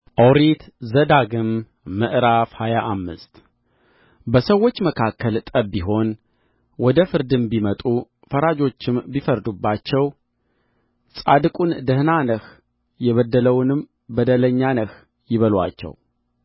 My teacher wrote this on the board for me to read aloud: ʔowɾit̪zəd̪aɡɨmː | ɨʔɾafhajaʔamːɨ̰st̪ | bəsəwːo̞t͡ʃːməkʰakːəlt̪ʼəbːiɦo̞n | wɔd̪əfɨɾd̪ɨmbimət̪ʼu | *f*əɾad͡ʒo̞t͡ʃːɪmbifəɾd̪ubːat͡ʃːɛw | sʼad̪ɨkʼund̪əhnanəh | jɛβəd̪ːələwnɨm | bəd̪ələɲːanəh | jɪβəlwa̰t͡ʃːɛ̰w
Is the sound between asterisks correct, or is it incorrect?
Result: correct